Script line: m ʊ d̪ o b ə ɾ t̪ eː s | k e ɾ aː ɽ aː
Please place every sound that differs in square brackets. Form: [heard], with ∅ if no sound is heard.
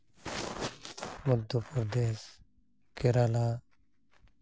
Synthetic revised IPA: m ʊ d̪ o [p] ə ɾ [d̪] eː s | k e ɾ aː [l] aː